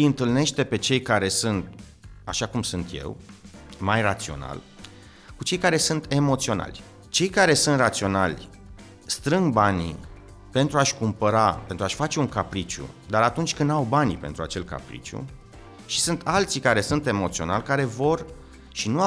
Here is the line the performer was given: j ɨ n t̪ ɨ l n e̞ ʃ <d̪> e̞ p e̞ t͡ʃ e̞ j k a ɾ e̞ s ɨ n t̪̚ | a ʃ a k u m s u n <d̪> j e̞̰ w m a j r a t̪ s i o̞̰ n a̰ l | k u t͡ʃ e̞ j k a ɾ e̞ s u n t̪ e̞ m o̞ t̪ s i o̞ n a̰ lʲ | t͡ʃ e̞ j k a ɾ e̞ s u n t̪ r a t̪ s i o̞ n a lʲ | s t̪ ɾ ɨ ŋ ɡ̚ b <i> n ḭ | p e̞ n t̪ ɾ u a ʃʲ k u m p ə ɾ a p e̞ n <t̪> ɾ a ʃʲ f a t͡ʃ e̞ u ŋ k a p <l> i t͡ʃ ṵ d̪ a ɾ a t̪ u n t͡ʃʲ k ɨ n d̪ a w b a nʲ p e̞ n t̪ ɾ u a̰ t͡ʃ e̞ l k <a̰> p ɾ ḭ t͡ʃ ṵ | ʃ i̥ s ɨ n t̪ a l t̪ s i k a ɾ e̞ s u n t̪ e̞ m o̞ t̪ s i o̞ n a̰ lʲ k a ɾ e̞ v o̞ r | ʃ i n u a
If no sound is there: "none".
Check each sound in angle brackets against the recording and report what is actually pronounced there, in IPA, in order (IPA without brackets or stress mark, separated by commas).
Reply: t̪, t̪, a, t̪, ɾ, a̰